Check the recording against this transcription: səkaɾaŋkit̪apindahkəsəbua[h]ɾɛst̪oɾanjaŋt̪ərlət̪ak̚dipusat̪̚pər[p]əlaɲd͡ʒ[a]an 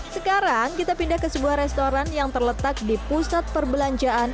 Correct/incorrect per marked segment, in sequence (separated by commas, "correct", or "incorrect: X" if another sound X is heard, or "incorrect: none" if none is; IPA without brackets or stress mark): correct, incorrect: b, correct